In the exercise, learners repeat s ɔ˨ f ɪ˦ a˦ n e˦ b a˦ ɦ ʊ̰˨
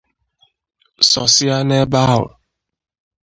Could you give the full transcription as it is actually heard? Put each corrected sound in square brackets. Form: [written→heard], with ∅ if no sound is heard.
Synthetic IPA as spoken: s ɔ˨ [f→s] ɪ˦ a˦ n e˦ b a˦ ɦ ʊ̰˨